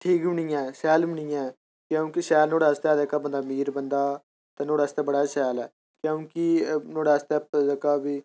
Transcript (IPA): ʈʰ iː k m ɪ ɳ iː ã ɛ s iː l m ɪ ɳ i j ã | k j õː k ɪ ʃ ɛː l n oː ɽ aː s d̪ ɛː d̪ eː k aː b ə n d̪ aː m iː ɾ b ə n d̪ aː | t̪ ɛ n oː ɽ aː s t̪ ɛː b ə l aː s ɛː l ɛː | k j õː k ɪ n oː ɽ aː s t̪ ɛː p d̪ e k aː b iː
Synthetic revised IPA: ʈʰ iː k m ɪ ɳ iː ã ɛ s ɛː l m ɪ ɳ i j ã | k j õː k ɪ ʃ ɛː l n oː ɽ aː s t̪ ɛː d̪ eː k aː b ə n d̪ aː m iː ɾ b ə n d̪ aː | t̪ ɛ n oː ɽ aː s t̪ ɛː b ə ɽ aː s ɛː l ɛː | k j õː k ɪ n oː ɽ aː s t̪ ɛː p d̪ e k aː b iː